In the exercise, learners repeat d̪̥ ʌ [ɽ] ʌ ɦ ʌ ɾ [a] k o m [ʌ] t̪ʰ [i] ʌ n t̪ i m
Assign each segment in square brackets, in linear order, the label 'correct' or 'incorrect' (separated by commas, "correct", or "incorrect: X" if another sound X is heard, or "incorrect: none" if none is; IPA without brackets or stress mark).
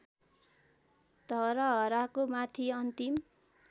incorrect: ɾ, correct, incorrect: a, correct